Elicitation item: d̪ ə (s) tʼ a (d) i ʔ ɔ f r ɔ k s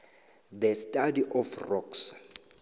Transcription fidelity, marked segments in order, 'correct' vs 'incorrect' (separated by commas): correct, correct